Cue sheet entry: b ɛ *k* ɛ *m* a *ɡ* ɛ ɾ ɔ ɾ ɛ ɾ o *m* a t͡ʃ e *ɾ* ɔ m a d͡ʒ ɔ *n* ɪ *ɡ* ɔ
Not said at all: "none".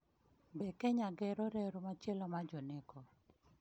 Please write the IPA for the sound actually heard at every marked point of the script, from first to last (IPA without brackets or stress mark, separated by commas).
k, ɲ, ɡ, m, l, n, k